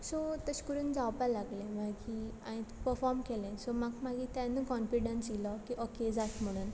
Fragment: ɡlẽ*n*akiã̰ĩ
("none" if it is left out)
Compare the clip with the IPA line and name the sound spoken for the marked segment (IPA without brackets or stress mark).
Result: m